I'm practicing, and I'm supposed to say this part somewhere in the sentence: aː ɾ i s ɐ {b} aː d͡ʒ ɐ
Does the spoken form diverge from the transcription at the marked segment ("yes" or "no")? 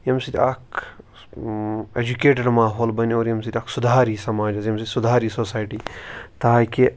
yes